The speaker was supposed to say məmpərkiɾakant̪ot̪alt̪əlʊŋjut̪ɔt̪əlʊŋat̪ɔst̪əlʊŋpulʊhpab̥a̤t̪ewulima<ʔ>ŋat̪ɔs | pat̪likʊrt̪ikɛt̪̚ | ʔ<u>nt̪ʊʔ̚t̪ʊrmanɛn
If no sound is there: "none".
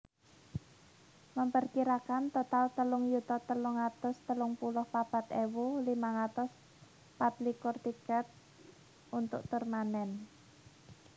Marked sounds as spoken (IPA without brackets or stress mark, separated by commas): none, u